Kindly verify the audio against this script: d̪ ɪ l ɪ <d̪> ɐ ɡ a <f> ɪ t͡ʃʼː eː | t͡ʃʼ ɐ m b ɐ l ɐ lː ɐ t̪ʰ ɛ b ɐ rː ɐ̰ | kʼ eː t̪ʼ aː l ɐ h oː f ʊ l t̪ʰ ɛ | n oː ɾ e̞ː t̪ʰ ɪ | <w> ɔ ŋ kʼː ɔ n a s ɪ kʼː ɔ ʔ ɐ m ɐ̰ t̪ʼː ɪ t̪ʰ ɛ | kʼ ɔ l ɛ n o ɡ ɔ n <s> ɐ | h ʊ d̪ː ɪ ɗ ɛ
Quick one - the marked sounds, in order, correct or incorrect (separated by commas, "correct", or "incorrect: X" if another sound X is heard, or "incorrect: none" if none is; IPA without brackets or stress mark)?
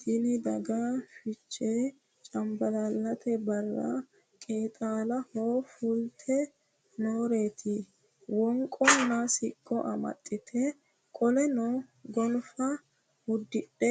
correct, correct, correct, incorrect: f